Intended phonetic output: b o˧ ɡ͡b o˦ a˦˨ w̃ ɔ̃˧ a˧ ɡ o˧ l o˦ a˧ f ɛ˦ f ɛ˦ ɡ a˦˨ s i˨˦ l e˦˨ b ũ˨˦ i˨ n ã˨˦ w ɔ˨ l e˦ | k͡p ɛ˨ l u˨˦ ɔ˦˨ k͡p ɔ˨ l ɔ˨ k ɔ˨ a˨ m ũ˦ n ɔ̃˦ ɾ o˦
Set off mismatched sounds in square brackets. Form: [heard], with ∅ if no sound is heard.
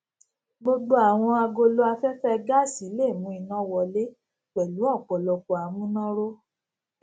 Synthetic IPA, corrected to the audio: b o˧ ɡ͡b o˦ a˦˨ w̃ ɔ̃˧ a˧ ɡ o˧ l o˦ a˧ f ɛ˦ f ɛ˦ ɡ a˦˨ s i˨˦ l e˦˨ [m] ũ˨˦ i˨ n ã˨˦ w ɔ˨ l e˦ | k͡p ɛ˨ l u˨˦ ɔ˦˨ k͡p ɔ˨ l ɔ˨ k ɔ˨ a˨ m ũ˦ n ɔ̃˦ ɾ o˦